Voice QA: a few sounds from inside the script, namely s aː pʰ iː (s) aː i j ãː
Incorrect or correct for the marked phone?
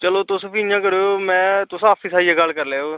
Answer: correct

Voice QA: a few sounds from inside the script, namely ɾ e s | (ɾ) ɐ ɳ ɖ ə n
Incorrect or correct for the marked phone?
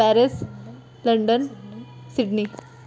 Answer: incorrect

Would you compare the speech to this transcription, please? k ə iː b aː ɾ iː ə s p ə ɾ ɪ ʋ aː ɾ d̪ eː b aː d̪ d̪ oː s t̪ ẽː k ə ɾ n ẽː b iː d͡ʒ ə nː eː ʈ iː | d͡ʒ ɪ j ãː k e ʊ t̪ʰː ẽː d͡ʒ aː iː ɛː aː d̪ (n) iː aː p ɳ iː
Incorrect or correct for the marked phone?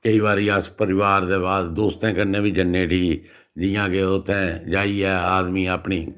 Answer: incorrect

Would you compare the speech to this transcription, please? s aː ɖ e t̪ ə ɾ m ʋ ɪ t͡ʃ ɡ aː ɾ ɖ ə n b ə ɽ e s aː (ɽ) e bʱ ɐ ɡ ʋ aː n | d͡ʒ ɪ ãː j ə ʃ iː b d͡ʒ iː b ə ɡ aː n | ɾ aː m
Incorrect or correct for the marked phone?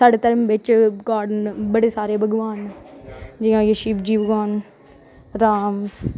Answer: incorrect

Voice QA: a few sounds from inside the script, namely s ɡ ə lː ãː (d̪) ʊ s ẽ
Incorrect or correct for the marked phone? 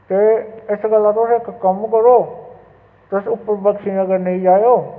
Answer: incorrect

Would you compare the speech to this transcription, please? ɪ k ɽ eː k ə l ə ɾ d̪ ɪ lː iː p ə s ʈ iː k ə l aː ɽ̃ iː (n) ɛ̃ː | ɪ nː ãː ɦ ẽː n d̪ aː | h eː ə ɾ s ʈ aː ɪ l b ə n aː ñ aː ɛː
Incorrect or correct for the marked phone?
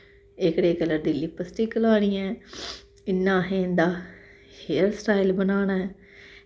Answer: incorrect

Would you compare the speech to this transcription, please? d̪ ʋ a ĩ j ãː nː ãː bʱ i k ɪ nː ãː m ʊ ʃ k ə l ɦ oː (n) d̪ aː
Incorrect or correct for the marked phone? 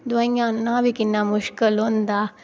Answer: correct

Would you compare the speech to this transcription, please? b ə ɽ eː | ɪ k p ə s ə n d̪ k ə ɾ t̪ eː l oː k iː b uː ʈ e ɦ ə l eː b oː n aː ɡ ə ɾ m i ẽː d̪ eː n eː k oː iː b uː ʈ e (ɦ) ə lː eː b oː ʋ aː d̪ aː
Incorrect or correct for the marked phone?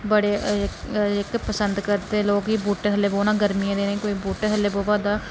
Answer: correct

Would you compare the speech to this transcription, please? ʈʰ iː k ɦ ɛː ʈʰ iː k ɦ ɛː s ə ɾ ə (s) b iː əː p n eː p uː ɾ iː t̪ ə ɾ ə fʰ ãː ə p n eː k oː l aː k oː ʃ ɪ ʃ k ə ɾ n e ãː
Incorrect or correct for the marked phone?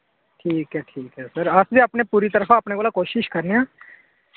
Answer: correct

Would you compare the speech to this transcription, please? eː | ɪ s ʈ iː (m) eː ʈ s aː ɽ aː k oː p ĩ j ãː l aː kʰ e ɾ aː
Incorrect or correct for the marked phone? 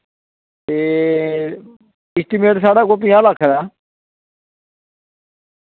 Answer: correct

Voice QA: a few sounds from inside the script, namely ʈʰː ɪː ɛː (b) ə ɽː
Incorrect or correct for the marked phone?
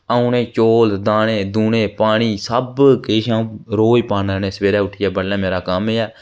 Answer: correct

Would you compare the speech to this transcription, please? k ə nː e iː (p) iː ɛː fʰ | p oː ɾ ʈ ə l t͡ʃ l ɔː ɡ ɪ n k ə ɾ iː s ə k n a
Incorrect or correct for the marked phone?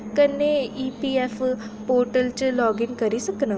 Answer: correct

